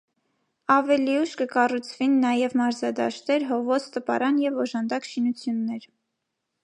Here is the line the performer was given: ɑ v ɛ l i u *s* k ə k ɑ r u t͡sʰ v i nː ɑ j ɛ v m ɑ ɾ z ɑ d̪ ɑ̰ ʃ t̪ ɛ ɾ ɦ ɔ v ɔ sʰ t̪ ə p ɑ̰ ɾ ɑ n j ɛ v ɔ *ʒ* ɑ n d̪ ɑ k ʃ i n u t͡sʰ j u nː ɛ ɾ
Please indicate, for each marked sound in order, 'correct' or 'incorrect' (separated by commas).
incorrect, correct